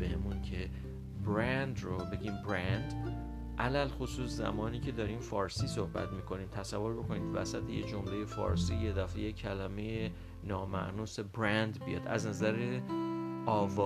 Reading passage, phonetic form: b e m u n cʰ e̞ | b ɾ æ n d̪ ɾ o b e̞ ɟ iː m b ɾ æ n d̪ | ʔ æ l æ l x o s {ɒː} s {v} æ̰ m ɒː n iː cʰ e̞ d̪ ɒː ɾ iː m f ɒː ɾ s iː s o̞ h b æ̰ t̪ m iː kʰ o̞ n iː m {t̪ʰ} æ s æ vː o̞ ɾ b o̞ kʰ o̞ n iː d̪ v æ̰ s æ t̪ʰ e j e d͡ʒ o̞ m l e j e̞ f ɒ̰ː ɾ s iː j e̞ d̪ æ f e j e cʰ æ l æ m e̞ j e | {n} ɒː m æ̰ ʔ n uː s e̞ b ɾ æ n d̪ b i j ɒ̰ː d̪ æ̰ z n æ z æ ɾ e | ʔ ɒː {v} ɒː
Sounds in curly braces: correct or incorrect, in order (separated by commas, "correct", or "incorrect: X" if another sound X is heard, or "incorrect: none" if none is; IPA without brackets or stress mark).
incorrect: uː, incorrect: z, correct, correct, correct